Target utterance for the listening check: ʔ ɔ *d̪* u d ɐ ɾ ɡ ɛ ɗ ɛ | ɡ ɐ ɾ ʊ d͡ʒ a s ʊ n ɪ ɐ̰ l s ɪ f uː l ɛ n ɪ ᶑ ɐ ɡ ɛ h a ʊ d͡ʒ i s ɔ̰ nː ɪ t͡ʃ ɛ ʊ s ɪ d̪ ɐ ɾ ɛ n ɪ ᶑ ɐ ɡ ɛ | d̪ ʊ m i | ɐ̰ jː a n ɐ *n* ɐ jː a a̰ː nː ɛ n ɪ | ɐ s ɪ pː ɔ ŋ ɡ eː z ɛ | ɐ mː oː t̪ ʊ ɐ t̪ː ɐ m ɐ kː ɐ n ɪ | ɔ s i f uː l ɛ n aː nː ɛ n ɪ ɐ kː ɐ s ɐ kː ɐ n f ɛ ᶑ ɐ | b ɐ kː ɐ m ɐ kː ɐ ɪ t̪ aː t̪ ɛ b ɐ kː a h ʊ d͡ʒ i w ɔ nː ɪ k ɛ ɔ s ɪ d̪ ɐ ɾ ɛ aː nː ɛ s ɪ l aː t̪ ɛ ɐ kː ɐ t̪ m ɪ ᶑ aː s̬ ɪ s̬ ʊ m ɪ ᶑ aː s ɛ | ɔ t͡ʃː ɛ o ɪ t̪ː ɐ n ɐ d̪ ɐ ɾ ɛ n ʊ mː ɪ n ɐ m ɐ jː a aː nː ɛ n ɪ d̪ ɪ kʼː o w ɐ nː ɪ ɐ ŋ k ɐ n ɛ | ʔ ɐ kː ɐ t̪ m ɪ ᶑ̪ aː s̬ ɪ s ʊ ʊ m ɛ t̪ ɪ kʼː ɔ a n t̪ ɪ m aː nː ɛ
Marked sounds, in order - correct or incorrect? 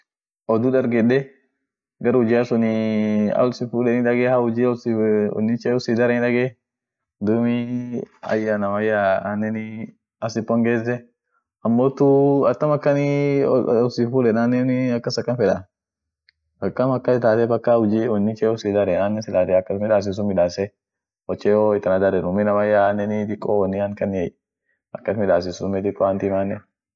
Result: correct, incorrect: m

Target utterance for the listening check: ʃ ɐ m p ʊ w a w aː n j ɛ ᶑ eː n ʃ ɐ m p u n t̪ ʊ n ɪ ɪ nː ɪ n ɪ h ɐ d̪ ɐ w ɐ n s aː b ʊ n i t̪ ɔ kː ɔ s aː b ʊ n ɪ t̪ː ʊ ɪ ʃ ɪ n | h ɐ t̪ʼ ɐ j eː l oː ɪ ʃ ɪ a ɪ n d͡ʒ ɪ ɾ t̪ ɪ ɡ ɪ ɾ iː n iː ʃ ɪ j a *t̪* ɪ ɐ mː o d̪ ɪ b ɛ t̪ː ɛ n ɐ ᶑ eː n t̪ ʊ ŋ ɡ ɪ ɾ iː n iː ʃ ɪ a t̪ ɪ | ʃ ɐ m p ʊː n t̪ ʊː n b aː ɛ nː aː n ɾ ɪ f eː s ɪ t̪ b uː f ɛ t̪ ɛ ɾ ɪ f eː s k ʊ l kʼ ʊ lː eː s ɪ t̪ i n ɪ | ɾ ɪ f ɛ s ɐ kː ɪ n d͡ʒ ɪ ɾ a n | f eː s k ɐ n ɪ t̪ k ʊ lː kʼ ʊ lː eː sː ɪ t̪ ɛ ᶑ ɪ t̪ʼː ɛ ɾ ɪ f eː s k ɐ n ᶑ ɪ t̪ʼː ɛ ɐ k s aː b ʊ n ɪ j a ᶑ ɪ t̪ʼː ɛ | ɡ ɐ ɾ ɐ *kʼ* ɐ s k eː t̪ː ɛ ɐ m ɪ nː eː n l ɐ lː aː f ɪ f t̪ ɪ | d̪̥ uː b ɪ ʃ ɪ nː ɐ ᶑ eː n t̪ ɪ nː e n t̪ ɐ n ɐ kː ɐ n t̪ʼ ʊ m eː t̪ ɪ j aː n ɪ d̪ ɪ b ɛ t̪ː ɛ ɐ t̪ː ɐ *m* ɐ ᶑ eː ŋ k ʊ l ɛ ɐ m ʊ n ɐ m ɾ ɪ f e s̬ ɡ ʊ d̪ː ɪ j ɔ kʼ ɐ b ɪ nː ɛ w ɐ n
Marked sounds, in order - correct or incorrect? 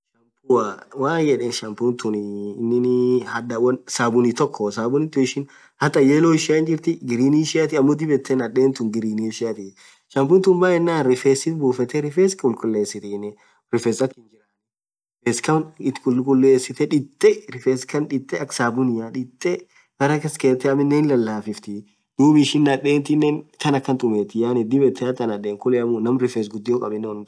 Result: correct, incorrect: k, incorrect: n

